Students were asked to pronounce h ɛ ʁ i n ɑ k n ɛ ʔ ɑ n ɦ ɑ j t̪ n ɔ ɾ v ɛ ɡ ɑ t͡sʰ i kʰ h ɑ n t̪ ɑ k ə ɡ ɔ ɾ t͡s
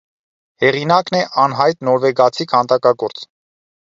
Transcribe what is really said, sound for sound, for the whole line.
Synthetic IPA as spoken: h ɛ ʁ i n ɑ k n ɛ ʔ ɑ n ɦ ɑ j t̪ n ɔ ɾ v ɛ ɡ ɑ t͡sʰ i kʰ h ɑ n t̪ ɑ k ɑ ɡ ɔ ɾ t͡s